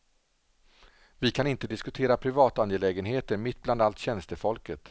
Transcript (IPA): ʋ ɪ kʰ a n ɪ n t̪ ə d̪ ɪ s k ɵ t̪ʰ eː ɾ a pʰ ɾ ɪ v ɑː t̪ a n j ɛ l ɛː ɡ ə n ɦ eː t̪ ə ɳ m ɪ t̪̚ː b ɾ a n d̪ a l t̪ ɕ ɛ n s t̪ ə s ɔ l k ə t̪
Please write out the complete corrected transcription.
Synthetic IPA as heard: v ɪ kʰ a n ɪ n t̪ ə d̪ ɪ s k ɵ t̪ʰ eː ɾ a pʰ ɾ ɪ v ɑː t̪ a n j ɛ l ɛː ɡ ə n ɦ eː t̪ ə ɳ m ɪ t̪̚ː b l a n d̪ a l t̪ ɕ ɛ n s t̪ ə f ɔ l k ə t̪